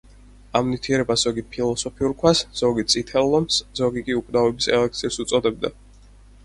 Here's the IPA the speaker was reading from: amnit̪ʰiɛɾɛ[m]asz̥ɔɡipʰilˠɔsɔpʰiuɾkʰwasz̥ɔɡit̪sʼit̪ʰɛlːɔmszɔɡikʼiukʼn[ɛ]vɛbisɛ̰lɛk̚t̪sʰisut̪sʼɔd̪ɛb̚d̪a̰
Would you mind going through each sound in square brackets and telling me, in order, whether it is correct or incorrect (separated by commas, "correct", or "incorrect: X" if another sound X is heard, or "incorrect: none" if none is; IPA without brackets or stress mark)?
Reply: incorrect: b, incorrect: a